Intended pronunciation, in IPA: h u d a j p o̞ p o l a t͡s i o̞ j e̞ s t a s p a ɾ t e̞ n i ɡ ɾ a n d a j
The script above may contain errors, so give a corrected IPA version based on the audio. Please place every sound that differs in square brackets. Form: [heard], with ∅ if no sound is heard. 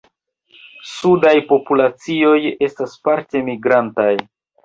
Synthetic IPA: [s] u d a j p o̞ p [u] l a t͡s i o̞ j e̞ s t a s p a ɾ t e̞ [m] i ɡ ɾ a n [t] a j